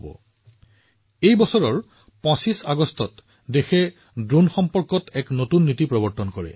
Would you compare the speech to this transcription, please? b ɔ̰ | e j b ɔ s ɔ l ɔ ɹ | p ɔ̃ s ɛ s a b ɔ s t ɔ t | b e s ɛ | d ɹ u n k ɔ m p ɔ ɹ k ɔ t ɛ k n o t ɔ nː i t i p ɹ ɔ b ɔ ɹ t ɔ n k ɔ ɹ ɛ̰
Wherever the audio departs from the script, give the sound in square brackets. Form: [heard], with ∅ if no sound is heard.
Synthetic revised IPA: b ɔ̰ | e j b ɔ s ɔ [ɹ] ɔ ɹ | p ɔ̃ s [i] s a [ɡ] ɔ s t ɔ t | [d] e [x] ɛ | d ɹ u n [x] ɔ m p ɔ ɹ k ɔ t ɛ k n o t [u] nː i t i p ɹ ɔ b ɔ ɹ t ɔ n k ɔ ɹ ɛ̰